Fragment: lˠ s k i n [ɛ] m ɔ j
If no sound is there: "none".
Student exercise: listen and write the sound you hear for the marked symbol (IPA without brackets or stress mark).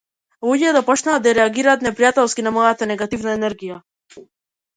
a